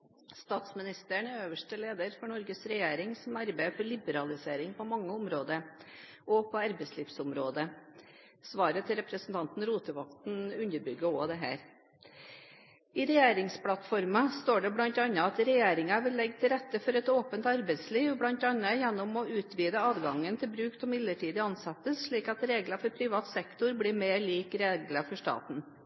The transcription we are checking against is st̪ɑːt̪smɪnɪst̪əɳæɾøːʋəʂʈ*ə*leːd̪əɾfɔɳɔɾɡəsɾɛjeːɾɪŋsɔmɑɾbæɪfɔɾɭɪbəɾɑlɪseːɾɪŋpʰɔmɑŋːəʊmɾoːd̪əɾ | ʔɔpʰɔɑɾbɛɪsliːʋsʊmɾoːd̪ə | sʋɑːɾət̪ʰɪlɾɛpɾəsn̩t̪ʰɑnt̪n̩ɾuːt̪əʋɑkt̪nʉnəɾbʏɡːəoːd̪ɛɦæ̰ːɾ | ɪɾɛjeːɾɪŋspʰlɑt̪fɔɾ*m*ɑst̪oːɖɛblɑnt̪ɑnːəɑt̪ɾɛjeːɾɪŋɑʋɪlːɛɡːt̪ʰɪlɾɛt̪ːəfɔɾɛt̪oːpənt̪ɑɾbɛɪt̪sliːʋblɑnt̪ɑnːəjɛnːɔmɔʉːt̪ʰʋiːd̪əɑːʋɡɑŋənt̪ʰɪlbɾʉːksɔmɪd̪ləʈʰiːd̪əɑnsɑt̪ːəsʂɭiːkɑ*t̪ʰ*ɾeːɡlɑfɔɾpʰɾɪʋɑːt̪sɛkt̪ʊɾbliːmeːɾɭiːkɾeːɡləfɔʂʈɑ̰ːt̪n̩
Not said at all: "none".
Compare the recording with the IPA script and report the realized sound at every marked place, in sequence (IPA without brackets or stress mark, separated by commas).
ə, m, t̪